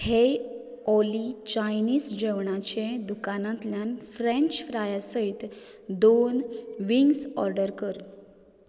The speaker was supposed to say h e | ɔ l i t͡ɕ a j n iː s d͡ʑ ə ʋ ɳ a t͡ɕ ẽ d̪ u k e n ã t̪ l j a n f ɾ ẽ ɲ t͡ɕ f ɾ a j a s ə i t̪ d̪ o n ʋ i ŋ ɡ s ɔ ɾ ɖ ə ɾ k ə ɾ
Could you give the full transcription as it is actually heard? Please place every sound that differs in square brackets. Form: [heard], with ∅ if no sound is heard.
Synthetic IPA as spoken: h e | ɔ l i t͡ɕ a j n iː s d͡ʑ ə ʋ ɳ a t͡ɕ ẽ d̪ u k [a] n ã t̪ l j a n f ɾ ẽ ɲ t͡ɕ f ɾ a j a s ə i t̪ d̪ o n ʋ i ŋ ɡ s ɔ ɾ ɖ ə ɾ k ə ɾ